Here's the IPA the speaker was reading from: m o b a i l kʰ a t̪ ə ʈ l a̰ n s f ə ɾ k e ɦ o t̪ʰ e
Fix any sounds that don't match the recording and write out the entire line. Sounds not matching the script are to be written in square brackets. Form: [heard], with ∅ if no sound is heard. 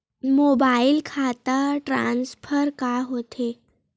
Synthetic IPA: m o b a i l kʰ a t̪ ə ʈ [ɾ] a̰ n s f ə ɾ k [a] ɦ o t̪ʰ e